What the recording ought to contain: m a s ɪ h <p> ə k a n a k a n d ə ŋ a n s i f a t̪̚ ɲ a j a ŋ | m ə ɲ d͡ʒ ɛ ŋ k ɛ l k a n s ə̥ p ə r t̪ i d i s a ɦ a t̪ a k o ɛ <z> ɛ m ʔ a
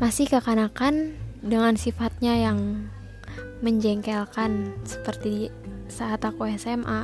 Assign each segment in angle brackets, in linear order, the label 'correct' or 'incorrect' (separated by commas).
incorrect, incorrect